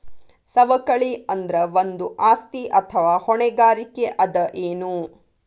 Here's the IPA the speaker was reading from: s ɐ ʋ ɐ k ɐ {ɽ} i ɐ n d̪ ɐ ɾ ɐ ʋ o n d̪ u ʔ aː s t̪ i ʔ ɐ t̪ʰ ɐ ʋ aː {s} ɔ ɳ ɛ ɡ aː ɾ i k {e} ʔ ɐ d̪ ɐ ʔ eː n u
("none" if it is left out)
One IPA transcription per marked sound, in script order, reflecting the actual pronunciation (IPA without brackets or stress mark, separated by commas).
ɭ, h, e